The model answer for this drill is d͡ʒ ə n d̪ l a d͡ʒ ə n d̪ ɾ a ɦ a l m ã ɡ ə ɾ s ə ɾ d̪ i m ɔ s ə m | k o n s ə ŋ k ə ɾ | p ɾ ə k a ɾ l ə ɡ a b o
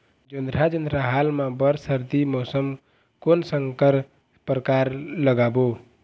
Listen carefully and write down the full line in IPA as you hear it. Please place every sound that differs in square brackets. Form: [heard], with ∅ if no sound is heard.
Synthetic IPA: d͡ʒ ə n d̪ [ɾ] a d͡ʒ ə n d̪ ɾ a ɦ a l m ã [b] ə ɾ s ə ɾ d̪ i m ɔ s ə m | k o n s ə ŋ k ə ɾ | p ɾ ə k a ɾ l ə ɡ a b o